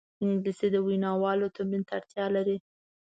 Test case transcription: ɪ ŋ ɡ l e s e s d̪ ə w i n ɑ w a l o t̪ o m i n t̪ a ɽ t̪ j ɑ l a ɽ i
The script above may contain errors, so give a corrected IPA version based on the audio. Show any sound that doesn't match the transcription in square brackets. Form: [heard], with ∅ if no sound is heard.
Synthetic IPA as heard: ɪ ŋ ɡ l [i] s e [∅] d̪ ə w i n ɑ w [ɑ] l o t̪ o m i n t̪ a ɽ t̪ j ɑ l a [ɾ] i